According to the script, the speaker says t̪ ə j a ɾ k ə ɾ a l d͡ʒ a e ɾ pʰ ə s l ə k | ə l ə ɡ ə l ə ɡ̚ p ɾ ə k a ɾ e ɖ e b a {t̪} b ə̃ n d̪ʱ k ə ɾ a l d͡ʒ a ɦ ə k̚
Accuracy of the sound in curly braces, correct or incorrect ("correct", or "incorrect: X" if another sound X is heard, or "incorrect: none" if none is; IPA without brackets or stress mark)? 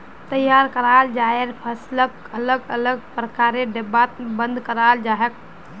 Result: correct